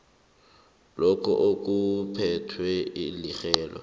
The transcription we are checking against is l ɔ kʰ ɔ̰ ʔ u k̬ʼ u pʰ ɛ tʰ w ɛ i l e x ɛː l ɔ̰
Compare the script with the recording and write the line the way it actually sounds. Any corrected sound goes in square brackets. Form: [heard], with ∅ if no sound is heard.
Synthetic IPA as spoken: l ɔ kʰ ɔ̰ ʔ [o] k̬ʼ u pʰ ɛ tʰ w ɛ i l [i] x ɛː l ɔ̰